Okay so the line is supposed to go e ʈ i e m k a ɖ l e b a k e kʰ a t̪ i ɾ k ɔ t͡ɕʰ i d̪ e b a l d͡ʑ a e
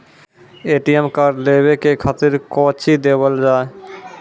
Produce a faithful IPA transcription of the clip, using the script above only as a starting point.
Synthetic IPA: e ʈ i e m k a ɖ l e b e k e kʰ a t̪ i ɾ k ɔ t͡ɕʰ i d̪ e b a l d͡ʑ a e